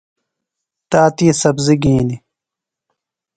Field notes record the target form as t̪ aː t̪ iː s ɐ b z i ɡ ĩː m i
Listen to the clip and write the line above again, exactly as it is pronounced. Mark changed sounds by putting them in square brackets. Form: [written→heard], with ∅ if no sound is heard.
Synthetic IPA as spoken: t̪ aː t̪ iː s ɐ b z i ɡ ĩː [m→n] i